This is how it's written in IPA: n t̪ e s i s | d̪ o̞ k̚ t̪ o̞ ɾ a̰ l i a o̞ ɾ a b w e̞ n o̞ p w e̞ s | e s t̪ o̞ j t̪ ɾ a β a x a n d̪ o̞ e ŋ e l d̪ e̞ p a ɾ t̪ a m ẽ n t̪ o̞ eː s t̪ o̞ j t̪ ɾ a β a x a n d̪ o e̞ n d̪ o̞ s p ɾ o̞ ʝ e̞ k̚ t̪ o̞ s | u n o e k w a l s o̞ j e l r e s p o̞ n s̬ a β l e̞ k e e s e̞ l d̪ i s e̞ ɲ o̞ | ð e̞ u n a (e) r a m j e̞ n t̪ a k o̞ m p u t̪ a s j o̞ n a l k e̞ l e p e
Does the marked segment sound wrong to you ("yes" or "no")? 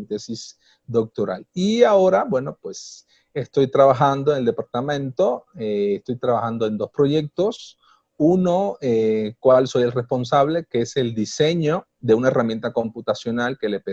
no